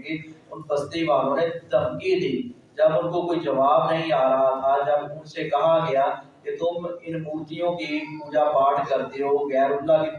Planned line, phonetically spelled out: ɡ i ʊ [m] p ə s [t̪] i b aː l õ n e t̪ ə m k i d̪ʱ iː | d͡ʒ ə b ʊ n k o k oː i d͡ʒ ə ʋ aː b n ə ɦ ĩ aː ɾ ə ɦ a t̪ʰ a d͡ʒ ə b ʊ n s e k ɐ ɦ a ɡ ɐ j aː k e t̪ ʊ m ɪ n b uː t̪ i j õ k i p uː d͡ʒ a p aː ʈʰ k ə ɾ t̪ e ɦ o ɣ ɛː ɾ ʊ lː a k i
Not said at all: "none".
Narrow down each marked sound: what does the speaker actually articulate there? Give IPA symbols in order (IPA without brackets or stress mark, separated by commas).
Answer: n, t̪